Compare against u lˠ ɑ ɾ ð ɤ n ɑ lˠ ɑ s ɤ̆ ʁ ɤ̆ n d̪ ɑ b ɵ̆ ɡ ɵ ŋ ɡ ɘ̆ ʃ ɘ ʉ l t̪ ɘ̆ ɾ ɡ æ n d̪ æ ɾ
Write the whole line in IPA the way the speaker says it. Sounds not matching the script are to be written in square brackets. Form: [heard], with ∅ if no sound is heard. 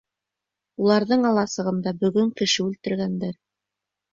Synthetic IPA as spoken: u lˠ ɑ ɾ ð ɤ [ɴ] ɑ lˠ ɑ s ɤ̆ ʁ ɤ̆ n d̪ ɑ b ɵ̆ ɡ ɵ ŋ [k] ɘ̆ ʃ ɘ ʉ l t̪ ɘ̆ ɾ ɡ æ n d̪ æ ɾ